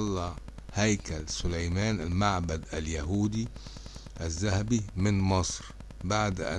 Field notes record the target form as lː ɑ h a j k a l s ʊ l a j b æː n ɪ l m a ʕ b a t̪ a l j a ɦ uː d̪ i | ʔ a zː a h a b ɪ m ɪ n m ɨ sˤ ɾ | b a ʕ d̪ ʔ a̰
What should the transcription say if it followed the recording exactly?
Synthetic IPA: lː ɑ h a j k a l s ʊ l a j m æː n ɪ l m a ʕ b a d̪ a l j a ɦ uː d̪ i | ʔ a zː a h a b i m ɪ n m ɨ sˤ ɾ | b a ʕ d̪ ʔ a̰